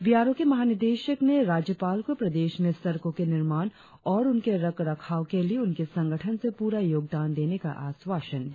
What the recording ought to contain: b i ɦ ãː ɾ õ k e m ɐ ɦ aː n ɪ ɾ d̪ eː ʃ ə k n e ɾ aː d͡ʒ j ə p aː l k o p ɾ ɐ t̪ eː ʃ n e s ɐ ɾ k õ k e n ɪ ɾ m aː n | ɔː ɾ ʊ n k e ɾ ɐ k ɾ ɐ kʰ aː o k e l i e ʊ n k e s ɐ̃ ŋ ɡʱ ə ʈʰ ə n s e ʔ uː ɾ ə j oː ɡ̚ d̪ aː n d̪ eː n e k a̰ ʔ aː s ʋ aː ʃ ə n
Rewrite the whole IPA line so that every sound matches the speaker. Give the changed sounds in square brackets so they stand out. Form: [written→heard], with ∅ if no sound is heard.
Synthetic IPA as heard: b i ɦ [ãː→aː] ɾ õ k e m ɐ ɦ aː n ɪ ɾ d̪ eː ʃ ə k n e ɾ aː d͡ʒ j ə p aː l k o p ɾ ɐ [t̪→d̪] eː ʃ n e s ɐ ɾ k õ k e n ɪ ɾ m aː n | ɔː ɾ ʊ n k e ɾ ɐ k ɾ ɐ kʰ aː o k e l i e ʊ n k e s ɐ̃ ŋ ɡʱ ə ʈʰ ə n s e [ʔ→p] uː ɾ [ə→a] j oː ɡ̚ d̪ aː n d̪ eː n e k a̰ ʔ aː s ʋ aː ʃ ə n